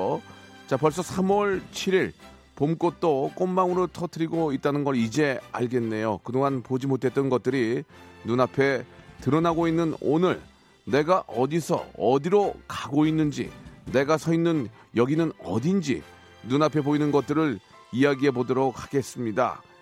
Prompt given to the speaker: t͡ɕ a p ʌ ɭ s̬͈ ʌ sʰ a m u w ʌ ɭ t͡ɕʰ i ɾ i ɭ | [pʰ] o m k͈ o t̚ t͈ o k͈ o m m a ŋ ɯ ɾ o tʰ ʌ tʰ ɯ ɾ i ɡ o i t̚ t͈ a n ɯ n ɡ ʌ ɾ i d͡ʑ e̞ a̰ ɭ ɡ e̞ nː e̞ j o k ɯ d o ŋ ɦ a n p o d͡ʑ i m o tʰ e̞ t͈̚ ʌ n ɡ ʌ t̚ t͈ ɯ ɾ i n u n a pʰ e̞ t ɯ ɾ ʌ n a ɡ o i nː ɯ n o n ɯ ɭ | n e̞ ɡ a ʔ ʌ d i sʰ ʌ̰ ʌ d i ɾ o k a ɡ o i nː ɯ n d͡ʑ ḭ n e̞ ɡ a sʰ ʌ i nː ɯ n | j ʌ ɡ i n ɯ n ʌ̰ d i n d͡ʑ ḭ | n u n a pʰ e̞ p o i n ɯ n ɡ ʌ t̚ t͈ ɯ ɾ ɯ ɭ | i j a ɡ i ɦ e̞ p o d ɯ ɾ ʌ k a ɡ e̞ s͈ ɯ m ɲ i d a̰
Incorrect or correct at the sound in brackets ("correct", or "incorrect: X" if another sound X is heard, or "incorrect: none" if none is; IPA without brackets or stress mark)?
incorrect: p